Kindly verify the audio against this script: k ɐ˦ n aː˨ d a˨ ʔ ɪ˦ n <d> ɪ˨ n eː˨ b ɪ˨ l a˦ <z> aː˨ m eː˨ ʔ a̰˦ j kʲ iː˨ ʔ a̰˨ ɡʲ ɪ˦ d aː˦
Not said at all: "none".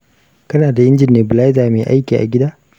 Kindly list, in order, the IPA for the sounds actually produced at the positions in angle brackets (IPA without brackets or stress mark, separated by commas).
d͡ʒ, z